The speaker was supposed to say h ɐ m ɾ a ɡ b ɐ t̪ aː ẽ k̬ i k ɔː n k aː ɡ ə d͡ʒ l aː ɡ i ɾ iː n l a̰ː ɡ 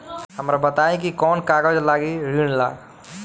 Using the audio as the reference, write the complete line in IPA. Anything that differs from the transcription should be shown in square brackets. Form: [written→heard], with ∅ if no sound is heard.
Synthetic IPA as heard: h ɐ m ɾ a [ɡ→∅] b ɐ t̪ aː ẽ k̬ i k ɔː n k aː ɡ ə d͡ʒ l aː ɡ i ɾ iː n l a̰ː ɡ

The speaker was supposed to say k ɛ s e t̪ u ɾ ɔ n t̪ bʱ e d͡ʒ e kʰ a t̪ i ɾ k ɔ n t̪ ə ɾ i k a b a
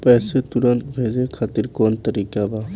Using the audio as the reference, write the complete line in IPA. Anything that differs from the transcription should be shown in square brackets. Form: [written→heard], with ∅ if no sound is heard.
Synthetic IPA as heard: [k→p] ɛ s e t̪ u ɾ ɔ n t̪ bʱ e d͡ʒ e kʰ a t̪ i ɾ k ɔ n t̪ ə ɾ i k a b a

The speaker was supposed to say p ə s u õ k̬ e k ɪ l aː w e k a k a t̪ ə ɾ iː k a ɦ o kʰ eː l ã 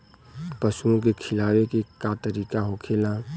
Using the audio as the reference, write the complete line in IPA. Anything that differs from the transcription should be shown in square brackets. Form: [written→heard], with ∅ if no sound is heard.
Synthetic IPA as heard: p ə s u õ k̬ e [k→kʰ] ɪ l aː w e k [a→e] k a t̪ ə ɾ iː k a ɦ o kʰ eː l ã

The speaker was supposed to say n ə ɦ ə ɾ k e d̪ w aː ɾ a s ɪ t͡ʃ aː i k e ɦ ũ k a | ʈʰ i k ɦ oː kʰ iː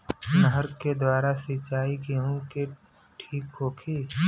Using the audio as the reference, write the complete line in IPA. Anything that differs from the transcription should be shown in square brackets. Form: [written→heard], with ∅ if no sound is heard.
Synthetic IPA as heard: n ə ɦ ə ɾ k e d̪ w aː ɾ a s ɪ t͡ʃ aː i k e ɦ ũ k [a→e] | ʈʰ [i→iː] k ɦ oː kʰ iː

